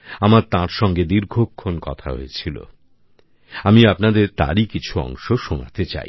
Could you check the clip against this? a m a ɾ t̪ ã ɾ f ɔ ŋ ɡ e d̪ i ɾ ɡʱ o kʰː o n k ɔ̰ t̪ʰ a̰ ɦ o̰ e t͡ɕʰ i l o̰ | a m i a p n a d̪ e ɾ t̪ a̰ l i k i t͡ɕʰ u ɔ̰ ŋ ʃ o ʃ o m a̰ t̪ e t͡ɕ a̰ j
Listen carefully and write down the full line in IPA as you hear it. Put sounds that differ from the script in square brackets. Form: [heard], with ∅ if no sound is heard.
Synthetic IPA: a m a ɾ t̪ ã ɾ [ʃ] ɔ ŋ ɡ e d̪ i ɾ ɡʱ o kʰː o n k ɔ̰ t̪ʰ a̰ ɦ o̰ e t͡ɕʰ i l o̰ | a m i a p n a d̪ e ɾ t̪ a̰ [ɾ] i k i t͡ɕʰ u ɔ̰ ŋ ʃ o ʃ o [n] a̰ t̪ e t͡ɕ a̰ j